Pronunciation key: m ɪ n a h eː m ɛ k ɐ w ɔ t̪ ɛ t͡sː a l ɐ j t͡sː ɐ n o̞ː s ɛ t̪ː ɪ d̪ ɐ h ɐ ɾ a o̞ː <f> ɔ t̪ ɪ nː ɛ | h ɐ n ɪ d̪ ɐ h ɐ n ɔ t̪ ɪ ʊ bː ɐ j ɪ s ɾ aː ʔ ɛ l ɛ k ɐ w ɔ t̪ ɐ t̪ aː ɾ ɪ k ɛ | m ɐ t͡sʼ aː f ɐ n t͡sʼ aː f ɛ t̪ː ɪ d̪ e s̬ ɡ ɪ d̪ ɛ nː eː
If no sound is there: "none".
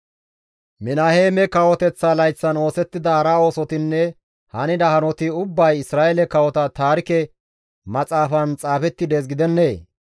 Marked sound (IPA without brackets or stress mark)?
s